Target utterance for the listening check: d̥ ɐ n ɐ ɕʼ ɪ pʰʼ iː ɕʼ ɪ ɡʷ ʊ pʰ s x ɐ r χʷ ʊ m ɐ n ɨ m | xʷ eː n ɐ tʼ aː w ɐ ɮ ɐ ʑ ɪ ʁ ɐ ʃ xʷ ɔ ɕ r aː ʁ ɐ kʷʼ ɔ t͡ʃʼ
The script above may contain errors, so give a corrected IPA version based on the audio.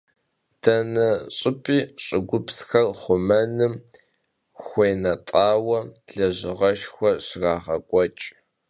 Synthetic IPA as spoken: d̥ ɐ n ɐ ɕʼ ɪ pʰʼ iː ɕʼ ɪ ɡʷ ʊ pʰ s x ɐ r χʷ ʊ m ɐ n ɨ m | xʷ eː n ɐ tʼ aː w ɐ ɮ ɐ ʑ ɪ ʁ ɐ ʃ xʷ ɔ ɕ r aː ʁ ɐ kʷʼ ɔ t͡ʃʼ